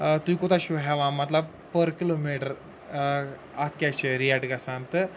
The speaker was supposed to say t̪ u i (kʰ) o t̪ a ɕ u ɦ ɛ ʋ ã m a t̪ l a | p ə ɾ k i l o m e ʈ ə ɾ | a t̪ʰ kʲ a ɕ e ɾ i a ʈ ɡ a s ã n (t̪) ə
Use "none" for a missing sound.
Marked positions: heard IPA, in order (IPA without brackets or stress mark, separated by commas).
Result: k, t̪